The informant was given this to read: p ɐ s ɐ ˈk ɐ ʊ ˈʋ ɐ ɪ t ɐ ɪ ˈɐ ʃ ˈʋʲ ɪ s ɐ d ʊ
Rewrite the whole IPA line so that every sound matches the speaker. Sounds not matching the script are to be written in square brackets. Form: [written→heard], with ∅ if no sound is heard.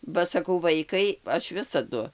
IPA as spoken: [p→b] ɐ s ɐ ˈk ɐ ʊ ˈʋ ɐ ɪ [t→k] ɐ ɪ ˈɐ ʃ ˈʋʲ ɪ s ɐ d ʊ